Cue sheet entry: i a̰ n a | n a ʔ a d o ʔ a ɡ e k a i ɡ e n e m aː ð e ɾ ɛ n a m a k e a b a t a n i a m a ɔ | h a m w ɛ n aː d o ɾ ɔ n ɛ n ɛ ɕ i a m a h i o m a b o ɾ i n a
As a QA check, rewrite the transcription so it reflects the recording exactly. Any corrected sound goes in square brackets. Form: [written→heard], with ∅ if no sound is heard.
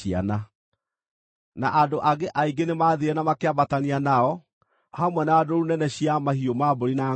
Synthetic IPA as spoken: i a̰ n a | n a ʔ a d o ʔ a ɡ e [k→ʔ] a i ɡ e n e m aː ð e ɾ ɛ n a m a k e a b a t a n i a [m→n] a ɔ | h a m w ɛ n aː d o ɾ [ɔ→u] n ɛ n ɛ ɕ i a m a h i o m a b o ɾ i n a